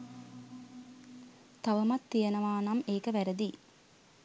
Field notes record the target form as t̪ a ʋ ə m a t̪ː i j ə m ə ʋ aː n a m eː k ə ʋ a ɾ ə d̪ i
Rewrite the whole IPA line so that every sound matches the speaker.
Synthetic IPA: t̪ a ʋ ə m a t̪ː i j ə n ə ʋ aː n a m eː k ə ʋ æ ɾ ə d̪ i